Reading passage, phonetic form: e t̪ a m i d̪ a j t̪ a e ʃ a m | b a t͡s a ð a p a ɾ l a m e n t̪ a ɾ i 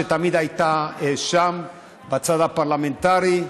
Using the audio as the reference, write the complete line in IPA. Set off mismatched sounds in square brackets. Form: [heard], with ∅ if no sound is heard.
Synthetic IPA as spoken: e t̪ a m i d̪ a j t̪ a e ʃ a m | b a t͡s a ð a p a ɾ l a m e n t̪ a ɾ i